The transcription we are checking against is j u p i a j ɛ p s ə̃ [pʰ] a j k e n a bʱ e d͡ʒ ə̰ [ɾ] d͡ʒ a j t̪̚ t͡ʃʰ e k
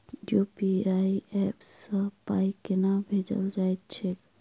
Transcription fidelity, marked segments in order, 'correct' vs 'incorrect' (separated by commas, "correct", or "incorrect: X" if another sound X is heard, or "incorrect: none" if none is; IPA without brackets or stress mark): incorrect: p, incorrect: l